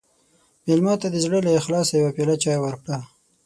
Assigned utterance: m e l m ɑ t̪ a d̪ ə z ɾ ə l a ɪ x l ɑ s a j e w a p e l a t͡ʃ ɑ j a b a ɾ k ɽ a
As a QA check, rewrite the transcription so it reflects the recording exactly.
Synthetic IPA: m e l m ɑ t̪ a d̪ ə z ɽ ə l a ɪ x l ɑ s a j a w a p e l a t͡ʃ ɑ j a w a ɾ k ɽ a